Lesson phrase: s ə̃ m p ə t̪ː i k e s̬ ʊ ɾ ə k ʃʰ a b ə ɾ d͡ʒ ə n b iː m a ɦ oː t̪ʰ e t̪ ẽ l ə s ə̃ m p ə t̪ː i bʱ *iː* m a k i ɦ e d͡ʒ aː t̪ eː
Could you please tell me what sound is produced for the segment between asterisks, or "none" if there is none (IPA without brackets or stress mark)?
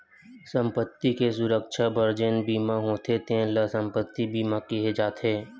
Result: iː